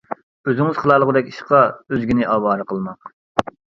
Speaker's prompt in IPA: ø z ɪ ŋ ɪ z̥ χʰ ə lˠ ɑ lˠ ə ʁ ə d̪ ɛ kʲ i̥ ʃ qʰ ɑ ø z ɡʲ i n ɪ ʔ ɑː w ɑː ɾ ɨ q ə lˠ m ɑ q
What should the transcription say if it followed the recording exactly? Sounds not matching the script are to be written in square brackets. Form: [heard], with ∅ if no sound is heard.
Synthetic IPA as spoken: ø z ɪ ŋ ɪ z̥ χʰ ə lˠ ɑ lˠ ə ʁ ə d̪ ɛ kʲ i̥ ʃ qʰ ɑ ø z ɡʲ i n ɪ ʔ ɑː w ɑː ɾ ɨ q ə lˠ m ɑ q